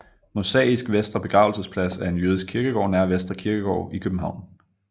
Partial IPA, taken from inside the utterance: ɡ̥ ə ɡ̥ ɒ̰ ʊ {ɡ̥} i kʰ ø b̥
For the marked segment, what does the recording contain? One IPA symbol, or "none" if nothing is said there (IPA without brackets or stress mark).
none